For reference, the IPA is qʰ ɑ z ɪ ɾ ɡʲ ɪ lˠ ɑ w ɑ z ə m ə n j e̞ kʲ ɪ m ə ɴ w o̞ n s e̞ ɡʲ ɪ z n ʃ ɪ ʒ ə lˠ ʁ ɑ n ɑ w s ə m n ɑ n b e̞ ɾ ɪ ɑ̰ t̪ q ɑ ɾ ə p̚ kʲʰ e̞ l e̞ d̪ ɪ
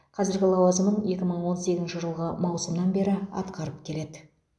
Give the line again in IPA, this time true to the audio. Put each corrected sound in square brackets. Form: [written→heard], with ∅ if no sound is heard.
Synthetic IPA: qʰ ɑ z ɪ ɾ ɡʲ ɪ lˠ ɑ w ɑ z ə m ə n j e̞ kʲ ɪ m ə ɴ w o̞ n s e̞ ɡʲ ɪ z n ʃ ɪ ʒ ə lˠ ʁ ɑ [n→m] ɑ w s ə m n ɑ n b e̞ ɾ ɪ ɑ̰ t̪ q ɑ ɾ ə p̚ kʲʰ e̞ l e̞ d̪ ɪ